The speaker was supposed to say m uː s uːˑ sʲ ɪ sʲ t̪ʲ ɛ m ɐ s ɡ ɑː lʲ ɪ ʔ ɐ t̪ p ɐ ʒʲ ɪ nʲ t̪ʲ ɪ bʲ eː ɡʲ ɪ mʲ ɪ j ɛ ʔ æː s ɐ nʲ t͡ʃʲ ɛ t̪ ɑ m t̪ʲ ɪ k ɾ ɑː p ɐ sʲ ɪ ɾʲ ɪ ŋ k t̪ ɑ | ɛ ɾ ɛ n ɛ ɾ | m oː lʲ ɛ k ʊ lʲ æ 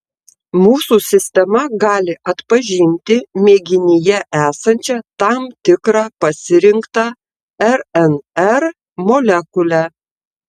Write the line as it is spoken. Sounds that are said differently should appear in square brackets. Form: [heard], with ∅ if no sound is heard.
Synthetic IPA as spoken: m uː s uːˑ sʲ ɪ sʲ t̪ʲ ɛ m ɐ [∅] ɡ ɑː lʲ ɪ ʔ ɐ t̪ p ɐ ʒʲ ɪ nʲ t̪ʲ ɪ [mʲ] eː ɡʲ ɪ [nʲ] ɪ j ɛ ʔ æː s ɐ nʲ t͡ʃʲ ɛ t̪ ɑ m t̪ʲ ɪ k ɾ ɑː p ɐ sʲ ɪ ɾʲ ɪ ŋ k t̪ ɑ | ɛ ɾ ɛ n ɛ ɾ | m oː lʲ ɛ k ʊ lʲ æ